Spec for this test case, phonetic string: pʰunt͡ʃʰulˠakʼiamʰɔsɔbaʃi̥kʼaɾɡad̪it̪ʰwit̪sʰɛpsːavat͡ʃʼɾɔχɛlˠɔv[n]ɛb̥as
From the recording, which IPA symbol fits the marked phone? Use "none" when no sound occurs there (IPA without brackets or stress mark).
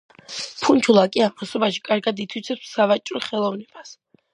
n